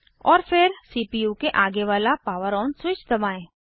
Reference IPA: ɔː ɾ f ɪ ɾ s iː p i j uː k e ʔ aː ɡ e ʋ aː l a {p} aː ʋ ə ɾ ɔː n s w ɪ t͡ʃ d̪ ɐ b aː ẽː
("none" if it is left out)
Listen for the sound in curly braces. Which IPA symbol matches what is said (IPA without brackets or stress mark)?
p